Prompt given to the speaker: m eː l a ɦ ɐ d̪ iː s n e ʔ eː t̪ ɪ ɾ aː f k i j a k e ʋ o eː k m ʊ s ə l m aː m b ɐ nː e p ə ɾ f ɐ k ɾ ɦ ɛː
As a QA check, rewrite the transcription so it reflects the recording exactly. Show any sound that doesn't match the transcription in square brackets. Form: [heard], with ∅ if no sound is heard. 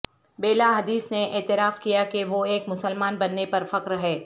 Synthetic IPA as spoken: [b] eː l a ɦ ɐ d̪ iː s n e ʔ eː t̪ ɪ ɾ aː f k i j a k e ʋ o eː k m ʊ s ə l m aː [n] b ɐ nː e p [ɐ] ɾ f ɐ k ɾ ɦ ɛː